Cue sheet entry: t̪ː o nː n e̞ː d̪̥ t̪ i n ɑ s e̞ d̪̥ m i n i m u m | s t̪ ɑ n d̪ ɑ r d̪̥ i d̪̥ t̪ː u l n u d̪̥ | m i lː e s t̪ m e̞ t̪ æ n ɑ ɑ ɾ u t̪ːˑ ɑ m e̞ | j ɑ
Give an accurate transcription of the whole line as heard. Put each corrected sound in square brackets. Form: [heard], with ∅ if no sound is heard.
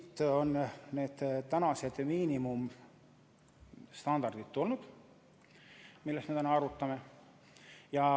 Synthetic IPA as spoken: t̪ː o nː n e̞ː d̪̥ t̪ [æ] n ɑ s e̞ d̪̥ m [iː] n i m u m | s t̪ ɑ n d̪ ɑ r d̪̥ i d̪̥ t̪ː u l n u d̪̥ | m i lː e s t̪ m e̞ t̪ æ n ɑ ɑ ɾ u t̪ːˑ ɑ m e̞ | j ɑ